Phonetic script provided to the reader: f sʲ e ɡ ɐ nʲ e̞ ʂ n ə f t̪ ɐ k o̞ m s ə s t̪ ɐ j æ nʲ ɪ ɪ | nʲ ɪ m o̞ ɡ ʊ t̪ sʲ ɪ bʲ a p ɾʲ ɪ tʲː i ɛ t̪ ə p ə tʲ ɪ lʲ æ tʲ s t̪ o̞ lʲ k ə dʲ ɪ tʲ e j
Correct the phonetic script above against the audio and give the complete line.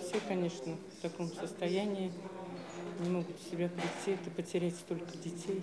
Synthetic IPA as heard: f sʲ e k ɐ nʲ e̞ ʂ n ə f t̪ ɐ k o̞ m s ə s t̪ ɐ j æ nʲ ɪ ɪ | nʲ ɪ m o̞ ɡ ʊ t̪ sʲ ɪ bʲ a p ɾʲ ɪ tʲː i ɛ t̪ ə p ə tʲ ɪ ɾʲ æ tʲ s t̪ o̞ lʲ k ə dʲ ɪ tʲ e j